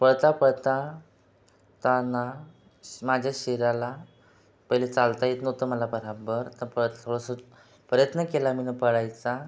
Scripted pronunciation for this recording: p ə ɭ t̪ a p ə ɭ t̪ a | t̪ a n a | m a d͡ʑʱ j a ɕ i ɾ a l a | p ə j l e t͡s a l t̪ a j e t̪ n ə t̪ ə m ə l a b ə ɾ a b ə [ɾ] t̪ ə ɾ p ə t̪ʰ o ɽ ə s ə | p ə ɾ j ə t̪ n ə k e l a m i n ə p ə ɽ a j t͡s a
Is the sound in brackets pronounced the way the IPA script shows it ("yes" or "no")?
yes